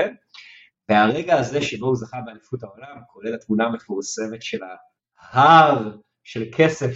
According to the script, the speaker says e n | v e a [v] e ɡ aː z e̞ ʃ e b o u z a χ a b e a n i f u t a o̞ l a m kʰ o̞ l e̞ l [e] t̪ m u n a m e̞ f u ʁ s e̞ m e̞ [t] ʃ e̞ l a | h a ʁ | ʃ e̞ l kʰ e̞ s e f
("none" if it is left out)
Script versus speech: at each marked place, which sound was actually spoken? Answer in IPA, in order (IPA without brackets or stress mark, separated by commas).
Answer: ʁ, a, t